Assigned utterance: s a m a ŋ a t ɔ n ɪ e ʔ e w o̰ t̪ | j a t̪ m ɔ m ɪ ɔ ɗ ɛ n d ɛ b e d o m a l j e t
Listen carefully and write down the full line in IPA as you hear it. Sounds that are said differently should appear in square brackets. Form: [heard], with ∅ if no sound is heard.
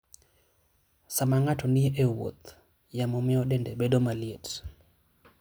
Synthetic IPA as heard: s a m a ŋ a t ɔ n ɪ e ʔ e w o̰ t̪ | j a [∅] m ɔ m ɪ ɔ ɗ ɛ n d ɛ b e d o m a l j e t